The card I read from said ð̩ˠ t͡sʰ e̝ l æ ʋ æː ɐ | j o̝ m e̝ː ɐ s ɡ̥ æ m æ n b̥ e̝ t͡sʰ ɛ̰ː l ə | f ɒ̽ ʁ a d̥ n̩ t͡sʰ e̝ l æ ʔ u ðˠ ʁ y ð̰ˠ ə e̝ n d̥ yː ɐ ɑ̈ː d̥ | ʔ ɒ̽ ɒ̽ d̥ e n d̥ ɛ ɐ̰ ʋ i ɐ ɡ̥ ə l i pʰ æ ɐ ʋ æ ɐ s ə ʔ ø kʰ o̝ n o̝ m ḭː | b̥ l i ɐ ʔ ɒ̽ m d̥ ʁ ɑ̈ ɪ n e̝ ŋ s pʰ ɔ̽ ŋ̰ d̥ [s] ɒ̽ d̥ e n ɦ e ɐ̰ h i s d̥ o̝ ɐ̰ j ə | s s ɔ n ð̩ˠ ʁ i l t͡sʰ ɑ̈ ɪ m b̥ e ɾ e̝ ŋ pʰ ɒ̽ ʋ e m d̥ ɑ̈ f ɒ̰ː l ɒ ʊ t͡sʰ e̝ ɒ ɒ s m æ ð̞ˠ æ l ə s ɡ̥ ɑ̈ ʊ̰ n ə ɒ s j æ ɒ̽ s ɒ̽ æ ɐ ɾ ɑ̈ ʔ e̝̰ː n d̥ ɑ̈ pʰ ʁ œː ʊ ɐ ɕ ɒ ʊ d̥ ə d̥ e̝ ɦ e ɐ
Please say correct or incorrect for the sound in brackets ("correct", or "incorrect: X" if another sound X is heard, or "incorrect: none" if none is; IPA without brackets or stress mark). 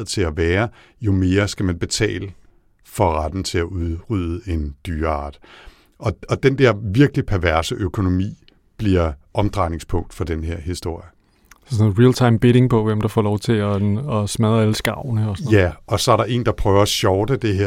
incorrect: f